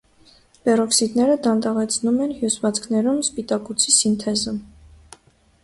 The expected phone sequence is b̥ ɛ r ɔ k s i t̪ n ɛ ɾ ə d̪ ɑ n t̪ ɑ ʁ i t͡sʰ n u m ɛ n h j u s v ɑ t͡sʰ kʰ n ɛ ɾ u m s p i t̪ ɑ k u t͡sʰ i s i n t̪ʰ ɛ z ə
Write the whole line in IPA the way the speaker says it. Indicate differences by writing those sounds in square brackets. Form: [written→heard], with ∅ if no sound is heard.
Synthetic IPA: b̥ ɛ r ɔ k s i t̪ n ɛ ɾ ə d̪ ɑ n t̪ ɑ ʁ [i→ɛ] t͡sʰ n u m ɛ n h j u s v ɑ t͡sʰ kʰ n ɛ ɾ u m s p i t̪ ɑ k u t͡sʰ i s i n t̪ʰ ɛ z ə